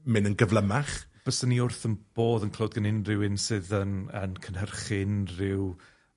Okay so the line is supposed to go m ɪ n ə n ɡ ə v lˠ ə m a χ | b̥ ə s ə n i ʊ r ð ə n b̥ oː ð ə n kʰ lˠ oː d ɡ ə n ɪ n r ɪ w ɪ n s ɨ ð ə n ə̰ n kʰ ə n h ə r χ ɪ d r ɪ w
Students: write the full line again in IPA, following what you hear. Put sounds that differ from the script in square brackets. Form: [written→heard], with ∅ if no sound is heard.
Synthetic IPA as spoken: m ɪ n ə n ɡ ə v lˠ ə m a χ | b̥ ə s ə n i ʊ r [ð→θ] ə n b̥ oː ð ə n kʰ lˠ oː d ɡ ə n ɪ n r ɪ w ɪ n s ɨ ð ə n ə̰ n kʰ ə n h ə r χ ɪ [d→n] r ɪ w

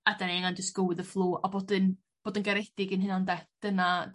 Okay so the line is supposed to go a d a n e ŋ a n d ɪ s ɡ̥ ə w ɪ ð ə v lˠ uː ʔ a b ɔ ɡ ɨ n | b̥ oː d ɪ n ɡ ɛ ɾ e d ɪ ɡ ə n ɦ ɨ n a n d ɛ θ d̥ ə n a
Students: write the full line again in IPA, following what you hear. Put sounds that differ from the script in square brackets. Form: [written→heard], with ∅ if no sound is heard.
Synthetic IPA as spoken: a d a n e ŋ a n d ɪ s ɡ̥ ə w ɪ ð ə [v→f] lˠ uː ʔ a b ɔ [ɡ→d] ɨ n | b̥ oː d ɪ n ɡ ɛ ɾ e d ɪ ɡ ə n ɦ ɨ n a n d ɛ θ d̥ ə n a

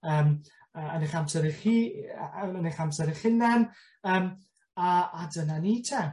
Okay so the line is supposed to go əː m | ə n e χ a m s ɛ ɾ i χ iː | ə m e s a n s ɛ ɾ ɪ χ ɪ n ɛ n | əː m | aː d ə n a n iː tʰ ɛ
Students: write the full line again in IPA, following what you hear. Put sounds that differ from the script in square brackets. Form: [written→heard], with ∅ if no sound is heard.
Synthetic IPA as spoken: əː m | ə n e χ a m s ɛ ɾ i χ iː | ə [m→n] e [s→χ] a [n→m] s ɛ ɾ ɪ χ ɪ n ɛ n | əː m | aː d ə n a n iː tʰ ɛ

